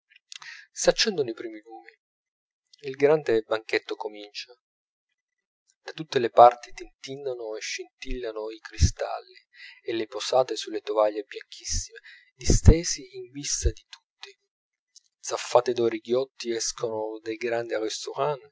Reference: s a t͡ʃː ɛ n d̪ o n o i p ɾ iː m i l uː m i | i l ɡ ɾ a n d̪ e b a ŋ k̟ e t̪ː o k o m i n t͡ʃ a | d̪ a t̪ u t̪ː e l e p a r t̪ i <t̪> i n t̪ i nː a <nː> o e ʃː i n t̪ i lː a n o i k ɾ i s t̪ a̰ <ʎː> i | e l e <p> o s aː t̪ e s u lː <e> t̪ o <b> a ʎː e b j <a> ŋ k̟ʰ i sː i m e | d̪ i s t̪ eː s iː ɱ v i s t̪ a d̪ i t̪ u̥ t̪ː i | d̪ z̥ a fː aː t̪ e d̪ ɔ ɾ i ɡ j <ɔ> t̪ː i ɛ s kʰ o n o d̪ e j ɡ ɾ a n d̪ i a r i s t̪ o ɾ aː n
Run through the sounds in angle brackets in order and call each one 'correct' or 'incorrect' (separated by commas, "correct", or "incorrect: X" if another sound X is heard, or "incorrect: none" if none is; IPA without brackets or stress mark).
correct, incorrect: n, incorrect: lː, correct, correct, incorrect: v, correct, correct